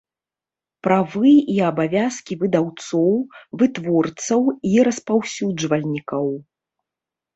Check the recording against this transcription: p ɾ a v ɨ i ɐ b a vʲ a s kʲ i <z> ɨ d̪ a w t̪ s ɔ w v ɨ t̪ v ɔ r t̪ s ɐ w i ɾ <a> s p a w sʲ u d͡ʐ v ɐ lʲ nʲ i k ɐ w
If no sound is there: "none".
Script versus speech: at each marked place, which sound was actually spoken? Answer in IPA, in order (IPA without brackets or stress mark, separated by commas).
v, ɐ